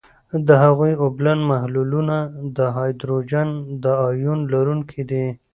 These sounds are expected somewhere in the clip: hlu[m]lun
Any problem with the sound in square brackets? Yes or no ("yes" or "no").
yes